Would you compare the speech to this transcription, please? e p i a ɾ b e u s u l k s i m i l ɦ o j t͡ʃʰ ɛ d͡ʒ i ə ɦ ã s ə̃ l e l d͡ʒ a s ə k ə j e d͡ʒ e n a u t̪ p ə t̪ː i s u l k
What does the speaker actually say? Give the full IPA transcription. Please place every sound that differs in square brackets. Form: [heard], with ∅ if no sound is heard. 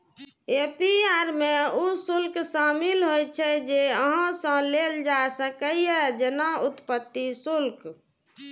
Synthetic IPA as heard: e p i a ɾ [m] e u s u l k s [a] m i l ɦ o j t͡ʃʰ ɛ d͡ʒ [e] ə ɦ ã s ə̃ l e l d͡ʒ a s ə k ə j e d͡ʒ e n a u t̪ p ə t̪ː i s u l k